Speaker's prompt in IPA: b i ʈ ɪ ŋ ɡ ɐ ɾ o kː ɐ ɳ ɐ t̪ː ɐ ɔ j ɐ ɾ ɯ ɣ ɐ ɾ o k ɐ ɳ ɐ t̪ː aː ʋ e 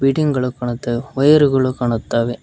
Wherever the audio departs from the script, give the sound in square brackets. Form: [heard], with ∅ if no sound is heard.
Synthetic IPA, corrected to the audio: b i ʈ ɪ ŋ ɡ ɐ [ɭ] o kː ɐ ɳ ɐ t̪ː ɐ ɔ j ɐ ɾ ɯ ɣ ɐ [ɭ] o k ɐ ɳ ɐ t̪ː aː ʋ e